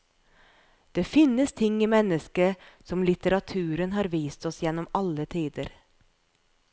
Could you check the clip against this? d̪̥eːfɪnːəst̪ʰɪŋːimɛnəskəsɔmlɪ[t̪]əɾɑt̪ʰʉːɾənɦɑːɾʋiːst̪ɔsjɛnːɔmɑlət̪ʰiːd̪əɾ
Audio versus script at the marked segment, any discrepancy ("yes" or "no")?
no